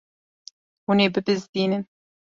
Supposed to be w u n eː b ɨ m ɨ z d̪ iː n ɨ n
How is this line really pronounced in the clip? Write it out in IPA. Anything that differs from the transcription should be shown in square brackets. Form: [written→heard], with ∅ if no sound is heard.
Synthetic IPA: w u n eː b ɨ [m→b] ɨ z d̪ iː n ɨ n

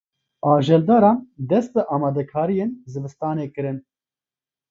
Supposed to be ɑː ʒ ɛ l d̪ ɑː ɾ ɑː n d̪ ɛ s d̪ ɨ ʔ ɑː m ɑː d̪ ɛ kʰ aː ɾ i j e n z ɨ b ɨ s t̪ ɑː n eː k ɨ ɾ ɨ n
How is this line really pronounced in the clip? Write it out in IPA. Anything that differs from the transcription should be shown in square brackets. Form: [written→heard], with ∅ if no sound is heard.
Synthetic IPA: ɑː ʒ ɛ l d̪ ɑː ɾ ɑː n d̪ ɛ s [d̪→t̪] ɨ ʔ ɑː m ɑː d̪ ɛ kʰ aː ɾ i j e n z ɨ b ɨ s t̪ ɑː n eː k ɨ ɾ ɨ n

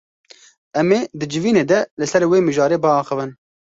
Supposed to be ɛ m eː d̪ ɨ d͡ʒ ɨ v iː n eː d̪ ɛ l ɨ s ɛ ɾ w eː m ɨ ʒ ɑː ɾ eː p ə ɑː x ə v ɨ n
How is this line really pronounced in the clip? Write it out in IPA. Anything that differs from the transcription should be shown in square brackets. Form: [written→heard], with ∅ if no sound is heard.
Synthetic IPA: ɛ m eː d̪ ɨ d͡ʒ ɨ v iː n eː d̪ ɛ l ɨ s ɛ ɾ w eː m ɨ ʒ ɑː ɾ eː [p→b] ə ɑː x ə v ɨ n

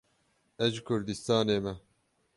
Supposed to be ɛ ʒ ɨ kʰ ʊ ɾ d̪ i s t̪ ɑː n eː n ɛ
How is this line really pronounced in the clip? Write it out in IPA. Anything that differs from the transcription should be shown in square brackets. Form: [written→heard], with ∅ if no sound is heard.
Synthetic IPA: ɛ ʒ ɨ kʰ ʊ ɾ d̪ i s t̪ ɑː n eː [n→m] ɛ

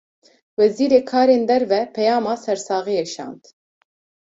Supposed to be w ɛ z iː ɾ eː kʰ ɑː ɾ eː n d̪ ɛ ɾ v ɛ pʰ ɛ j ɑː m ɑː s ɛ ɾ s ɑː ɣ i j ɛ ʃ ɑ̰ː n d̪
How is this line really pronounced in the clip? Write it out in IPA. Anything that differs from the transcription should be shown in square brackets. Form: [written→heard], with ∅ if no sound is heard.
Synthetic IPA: w ɛ z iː ɾ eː kʰ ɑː ɾ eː n d̪ ɛ ɾ v ɛ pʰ ɛ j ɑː m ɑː s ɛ ɾ s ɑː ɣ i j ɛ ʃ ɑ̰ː n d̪

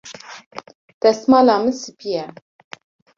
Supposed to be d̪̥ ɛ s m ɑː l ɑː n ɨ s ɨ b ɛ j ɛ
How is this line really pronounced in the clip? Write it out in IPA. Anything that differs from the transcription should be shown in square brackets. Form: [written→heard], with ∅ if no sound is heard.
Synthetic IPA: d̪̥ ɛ s m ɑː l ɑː [n→m] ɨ s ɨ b [ɛ→i] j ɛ

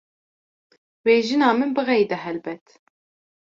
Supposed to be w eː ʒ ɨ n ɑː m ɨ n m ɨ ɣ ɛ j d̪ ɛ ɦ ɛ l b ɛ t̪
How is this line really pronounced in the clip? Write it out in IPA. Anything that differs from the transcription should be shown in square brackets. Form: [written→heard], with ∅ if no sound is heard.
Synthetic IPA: w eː ʒ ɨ n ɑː m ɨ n [m→b] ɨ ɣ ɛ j d̪ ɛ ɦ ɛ l b ɛ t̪

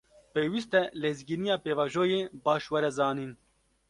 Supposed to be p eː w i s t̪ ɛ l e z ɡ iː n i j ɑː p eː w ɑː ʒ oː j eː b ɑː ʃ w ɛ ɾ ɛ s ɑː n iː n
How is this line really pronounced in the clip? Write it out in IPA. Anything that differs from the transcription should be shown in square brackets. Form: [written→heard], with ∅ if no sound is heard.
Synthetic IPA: p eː w i s t̪ ɛ l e z ɡ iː n i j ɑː p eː [w→v] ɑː ʒ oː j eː b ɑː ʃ w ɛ ɾ ɛ [s→z] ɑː n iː n

